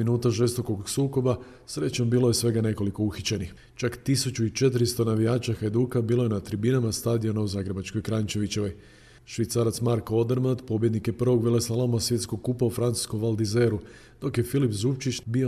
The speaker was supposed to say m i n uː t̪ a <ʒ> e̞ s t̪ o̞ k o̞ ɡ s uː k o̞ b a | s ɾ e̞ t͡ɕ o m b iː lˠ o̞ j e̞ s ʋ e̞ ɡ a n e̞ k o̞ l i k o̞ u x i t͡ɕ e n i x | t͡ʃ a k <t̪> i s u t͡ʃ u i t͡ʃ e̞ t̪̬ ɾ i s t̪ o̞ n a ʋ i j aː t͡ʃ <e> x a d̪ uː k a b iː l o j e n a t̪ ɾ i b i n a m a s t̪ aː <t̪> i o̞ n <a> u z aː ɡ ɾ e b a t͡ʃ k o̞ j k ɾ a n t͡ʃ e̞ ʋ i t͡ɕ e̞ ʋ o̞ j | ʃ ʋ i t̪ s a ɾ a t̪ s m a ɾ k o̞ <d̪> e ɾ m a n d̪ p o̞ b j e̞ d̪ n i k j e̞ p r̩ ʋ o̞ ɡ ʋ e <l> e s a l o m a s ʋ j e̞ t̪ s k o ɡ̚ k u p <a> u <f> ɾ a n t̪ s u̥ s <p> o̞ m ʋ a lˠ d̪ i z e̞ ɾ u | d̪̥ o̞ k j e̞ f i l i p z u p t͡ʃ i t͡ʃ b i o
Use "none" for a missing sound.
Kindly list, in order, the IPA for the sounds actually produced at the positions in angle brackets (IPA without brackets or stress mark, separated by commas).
ʒ, t̪, a, d̪, a, d̪, l, a, f, k